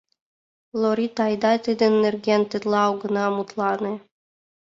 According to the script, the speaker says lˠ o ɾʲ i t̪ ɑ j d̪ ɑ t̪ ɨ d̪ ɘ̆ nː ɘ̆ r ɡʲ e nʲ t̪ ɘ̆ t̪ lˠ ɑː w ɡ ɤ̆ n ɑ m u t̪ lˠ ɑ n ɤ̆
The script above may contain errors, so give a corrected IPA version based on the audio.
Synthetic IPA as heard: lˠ o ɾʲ i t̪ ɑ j d̪ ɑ t̪ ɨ d̪ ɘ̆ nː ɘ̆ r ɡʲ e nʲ t̪ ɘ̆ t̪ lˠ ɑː w ɡ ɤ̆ n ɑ m u t̪ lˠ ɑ n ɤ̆